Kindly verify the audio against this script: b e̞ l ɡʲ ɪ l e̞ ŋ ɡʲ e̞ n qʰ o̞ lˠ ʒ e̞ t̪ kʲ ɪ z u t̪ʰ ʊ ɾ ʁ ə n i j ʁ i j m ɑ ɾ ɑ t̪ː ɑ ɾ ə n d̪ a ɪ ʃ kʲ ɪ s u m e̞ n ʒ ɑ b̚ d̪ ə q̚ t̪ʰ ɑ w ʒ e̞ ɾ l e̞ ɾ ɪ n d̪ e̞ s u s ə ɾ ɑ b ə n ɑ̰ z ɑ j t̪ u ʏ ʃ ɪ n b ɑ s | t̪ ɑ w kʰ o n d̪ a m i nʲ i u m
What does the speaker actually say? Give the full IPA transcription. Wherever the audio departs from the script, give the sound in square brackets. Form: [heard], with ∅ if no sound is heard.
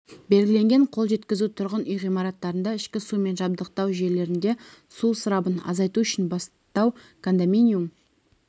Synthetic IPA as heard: b e̞ l ɡʲ ɪ l e̞ ŋ ɡʲ e̞ [ɴ] qʰ o̞ lˠ ʒ e̞ t̪ kʲ ɪ z u t̪ʰ ʊ ɾ ʁ ə n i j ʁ i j m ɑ ɾ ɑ t̪ː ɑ ɾ ə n d̪ [ɑ] ɪ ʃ kʲ ɪ s u m e̞ n ʒ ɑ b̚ d̪ ə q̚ [t̪] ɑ w ʒ e̞ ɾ l e̞ ɾ ɪ n d̪ e̞ s u s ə ɾ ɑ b ə n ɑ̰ z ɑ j t̪ u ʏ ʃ ɪ n b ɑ s | t̪ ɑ w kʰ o n d̪ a m i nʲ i u m